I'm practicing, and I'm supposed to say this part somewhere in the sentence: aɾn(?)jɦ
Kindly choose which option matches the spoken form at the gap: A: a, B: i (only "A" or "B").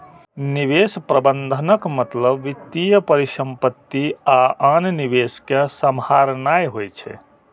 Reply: A